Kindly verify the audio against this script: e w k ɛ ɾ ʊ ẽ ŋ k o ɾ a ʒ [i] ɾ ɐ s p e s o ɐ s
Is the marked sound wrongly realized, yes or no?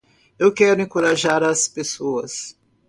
yes